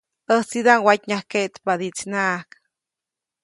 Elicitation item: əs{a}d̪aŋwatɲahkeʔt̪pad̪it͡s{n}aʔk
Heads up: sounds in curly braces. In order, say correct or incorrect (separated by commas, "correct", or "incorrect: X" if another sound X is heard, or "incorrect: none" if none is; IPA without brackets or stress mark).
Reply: incorrect: i, correct